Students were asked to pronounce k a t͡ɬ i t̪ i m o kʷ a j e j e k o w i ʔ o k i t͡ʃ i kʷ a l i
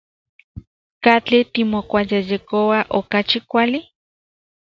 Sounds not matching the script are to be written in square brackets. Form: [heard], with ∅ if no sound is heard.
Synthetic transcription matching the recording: k a t͡ɬ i t̪ i m o kʷ a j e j e k o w [a] ʔ o k [a] t͡ʃ i kʷ a l i